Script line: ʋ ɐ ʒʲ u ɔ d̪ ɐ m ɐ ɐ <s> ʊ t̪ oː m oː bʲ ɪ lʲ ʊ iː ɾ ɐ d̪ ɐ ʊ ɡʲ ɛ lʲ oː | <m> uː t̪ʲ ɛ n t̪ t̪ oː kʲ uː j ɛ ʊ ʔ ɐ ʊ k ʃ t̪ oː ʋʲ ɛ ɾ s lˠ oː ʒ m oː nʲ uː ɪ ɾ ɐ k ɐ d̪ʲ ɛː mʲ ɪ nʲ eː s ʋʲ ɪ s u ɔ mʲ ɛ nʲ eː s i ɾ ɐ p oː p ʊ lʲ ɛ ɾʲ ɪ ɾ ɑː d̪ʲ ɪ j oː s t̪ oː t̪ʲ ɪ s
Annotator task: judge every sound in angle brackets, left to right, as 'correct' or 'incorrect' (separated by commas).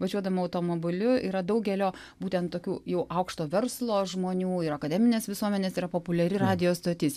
incorrect, incorrect